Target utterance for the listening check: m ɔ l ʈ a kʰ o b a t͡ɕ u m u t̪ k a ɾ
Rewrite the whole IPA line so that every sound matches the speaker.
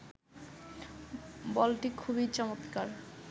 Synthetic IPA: b ɔ l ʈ i kʰ u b i t͡ɕ ɔ m o t̪ k a ɾ